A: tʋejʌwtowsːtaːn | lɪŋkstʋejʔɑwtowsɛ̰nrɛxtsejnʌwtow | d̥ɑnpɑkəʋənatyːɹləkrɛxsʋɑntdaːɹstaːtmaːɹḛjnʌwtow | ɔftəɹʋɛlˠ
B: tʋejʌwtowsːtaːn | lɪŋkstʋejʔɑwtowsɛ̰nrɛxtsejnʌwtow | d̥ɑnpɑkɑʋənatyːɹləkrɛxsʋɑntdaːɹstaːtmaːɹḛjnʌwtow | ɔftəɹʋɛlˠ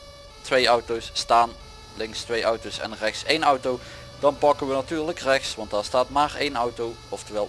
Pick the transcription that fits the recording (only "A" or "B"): A